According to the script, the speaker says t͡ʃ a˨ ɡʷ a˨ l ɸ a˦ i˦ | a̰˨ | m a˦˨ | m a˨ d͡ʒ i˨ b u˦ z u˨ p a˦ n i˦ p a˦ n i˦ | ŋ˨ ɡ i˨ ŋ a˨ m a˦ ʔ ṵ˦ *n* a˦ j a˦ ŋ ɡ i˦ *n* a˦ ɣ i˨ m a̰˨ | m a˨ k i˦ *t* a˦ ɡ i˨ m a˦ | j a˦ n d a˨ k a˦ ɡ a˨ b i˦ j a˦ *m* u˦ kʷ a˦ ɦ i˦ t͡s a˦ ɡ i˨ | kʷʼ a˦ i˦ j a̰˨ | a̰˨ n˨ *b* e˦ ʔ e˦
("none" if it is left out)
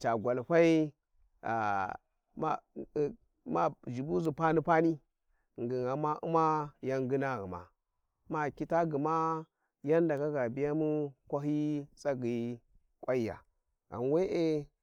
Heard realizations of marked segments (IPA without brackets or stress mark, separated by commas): m, n, t, m, w